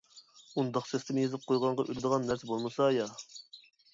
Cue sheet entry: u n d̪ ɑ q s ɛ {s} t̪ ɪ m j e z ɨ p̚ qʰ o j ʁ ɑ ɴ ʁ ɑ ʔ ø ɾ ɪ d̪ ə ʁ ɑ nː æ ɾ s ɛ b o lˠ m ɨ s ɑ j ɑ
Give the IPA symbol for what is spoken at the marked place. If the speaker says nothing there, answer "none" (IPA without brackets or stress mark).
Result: s